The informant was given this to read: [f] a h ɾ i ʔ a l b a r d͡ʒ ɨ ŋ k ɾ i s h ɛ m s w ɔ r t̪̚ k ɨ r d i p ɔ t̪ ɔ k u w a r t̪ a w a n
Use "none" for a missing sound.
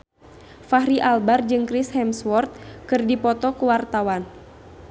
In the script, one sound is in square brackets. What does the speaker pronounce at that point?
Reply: f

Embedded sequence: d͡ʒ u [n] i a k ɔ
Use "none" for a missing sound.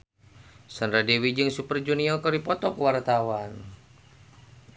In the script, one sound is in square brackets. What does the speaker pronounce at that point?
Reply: n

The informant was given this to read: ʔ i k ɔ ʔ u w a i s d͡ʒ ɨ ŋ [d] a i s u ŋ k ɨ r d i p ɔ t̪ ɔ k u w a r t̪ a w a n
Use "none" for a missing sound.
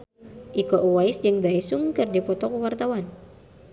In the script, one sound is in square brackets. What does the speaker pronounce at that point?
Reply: d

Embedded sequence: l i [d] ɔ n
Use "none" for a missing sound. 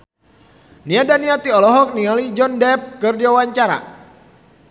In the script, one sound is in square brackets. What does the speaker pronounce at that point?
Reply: d͡ʒ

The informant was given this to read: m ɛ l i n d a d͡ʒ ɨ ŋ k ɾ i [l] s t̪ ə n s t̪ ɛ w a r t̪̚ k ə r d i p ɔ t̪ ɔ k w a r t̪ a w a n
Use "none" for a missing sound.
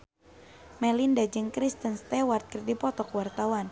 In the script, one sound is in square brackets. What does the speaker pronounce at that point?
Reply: none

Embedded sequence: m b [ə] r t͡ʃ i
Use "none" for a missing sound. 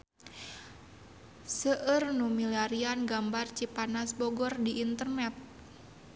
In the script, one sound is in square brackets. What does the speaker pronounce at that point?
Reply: a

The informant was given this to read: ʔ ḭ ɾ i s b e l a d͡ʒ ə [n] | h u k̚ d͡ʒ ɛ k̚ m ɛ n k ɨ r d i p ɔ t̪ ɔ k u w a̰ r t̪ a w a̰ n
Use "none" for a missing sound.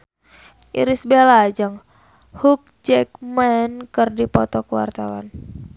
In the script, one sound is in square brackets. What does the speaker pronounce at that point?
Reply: ŋ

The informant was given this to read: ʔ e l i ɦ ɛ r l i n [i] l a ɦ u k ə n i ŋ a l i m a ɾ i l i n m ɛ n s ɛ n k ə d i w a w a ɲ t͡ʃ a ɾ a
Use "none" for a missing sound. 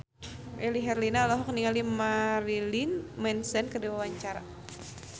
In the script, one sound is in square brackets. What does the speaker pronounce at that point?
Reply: a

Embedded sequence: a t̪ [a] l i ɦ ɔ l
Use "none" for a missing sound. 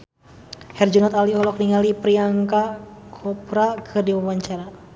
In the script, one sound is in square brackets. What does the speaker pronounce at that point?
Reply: a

